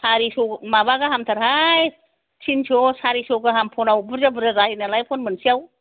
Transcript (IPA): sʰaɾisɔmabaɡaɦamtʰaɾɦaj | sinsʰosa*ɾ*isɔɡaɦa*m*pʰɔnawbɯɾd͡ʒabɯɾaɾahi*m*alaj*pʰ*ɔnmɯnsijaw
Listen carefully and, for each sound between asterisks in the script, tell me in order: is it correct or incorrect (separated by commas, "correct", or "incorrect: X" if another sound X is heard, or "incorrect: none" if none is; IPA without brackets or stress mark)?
correct, correct, incorrect: n, correct